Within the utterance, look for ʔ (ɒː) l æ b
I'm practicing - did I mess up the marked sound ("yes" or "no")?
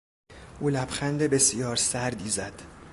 yes